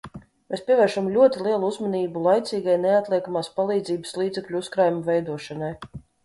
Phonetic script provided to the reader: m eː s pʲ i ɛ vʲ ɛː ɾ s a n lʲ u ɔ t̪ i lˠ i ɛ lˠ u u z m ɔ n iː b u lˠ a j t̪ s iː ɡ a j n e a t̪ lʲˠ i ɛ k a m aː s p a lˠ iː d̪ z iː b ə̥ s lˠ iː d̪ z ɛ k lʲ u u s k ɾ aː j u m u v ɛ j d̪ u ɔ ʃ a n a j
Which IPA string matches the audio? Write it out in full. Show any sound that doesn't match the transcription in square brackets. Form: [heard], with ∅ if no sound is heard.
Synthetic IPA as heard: m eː s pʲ i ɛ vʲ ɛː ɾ [ʃ] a [m] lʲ u ɔ t̪ i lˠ i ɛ lˠ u u z m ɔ n iː b u lˠ a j t̪ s iː ɡ a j n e a t̪ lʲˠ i ɛ k a m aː s p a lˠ iː d̪ z iː b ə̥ s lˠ iː d̪ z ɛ k lʲ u u s k ɾ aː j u m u v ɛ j d̪ u ɔ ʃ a n a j